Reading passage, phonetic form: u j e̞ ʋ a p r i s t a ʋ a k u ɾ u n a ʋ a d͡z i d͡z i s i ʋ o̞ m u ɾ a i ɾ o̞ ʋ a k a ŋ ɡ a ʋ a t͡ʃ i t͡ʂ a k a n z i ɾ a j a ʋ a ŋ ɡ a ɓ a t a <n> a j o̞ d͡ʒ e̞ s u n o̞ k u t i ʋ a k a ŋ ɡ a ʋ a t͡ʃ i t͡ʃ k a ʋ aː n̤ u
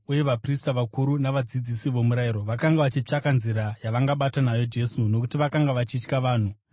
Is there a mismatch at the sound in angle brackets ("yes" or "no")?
no